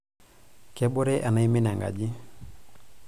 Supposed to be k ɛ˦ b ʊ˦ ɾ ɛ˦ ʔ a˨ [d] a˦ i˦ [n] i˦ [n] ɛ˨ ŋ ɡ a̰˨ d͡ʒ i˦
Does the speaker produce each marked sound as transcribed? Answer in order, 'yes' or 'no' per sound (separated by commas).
no, no, yes